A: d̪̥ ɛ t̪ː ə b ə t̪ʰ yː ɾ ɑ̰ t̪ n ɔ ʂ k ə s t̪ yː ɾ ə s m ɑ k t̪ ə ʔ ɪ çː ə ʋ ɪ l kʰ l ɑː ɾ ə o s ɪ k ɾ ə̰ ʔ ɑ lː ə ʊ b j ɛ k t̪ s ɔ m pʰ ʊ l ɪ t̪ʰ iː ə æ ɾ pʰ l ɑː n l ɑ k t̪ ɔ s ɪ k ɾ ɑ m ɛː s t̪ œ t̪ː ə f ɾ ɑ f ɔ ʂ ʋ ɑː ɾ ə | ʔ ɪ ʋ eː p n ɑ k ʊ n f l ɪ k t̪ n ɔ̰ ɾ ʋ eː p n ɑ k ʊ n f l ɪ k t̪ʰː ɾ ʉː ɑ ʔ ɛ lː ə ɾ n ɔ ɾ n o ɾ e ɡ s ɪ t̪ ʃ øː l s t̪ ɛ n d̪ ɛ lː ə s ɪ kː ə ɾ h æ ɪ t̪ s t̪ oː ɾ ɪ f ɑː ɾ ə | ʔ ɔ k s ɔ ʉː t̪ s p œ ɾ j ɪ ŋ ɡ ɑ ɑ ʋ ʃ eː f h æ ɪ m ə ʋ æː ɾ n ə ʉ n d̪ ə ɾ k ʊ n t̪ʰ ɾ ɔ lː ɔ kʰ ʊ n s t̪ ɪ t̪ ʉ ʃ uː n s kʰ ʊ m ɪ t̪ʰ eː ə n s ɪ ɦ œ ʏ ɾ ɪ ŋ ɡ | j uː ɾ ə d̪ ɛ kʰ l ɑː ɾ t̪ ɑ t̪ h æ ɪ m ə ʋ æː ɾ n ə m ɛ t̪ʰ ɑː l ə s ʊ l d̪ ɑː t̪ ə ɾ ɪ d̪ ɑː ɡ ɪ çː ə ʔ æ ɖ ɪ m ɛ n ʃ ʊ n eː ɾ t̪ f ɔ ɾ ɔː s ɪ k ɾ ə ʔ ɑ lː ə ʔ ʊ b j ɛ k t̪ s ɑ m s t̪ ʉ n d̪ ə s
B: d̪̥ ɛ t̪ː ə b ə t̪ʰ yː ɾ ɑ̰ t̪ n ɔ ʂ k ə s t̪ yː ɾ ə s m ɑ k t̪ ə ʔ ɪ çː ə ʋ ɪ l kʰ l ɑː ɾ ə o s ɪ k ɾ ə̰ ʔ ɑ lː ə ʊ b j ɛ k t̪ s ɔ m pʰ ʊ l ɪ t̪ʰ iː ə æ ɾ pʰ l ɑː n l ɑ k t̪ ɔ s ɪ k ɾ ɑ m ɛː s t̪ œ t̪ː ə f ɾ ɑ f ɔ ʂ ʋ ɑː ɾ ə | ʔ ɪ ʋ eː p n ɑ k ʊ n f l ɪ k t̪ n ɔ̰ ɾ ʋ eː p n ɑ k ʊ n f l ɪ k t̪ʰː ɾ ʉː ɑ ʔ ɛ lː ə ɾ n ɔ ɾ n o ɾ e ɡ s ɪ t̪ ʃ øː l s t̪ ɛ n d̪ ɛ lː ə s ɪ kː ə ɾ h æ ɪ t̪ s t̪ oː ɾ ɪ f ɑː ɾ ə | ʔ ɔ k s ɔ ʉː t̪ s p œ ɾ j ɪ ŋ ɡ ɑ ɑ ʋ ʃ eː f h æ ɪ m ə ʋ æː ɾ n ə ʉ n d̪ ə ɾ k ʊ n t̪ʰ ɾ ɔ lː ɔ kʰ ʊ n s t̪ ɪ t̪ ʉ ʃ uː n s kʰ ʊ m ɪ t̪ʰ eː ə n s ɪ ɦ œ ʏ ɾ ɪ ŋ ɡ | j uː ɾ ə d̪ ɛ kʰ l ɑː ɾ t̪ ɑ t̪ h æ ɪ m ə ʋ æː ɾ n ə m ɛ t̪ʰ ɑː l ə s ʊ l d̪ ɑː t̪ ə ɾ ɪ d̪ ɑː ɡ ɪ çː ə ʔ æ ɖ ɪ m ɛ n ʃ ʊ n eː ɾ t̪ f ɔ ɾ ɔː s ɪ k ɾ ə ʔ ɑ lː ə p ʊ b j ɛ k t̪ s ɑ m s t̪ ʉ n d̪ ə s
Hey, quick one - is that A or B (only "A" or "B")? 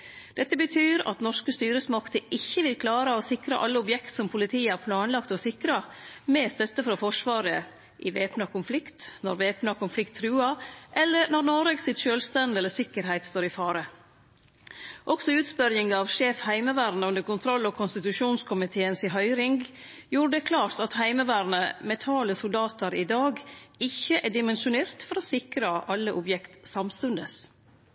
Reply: A